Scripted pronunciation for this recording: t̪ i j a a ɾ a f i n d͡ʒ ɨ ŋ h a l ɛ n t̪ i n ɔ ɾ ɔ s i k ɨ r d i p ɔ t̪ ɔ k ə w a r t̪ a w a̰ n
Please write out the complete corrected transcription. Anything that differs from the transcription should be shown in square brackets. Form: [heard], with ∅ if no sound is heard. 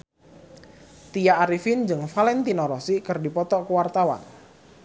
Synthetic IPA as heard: t̪ i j a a ɾ [i] f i n d͡ʒ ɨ ŋ [f] a l ɛ n t̪ i n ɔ ɾ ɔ s i k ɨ r d i p ɔ t̪ ɔ k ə w a r t̪ a w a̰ n